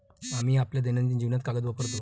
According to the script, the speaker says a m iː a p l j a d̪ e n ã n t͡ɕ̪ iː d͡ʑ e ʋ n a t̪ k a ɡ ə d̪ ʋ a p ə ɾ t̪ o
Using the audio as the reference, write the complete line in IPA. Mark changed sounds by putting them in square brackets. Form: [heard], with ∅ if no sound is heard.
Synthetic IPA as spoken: a m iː a p l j a d̪ e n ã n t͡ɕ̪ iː d͡ʑ [i] ʋ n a t̪ k a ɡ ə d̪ ʋ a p ə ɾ t̪ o